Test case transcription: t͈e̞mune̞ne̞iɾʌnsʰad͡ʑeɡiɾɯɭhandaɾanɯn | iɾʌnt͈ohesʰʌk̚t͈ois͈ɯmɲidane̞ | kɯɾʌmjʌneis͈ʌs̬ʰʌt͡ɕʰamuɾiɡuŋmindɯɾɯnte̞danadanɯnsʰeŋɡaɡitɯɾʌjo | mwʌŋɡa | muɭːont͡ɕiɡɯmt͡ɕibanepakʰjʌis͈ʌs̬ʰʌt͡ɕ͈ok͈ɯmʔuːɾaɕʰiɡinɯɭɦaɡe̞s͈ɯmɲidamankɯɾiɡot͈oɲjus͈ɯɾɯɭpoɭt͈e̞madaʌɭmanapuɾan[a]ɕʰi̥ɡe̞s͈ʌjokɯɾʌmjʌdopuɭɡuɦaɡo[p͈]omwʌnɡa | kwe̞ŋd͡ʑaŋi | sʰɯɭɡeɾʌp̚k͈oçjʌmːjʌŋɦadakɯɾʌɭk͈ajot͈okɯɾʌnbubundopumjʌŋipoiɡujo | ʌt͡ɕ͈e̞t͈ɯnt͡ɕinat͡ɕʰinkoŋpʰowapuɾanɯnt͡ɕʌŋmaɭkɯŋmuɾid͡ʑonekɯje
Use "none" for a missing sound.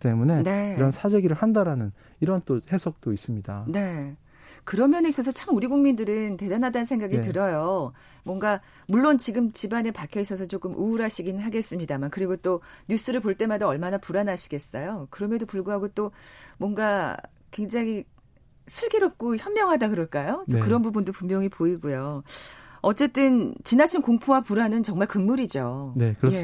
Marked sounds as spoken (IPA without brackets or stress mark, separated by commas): a, t͈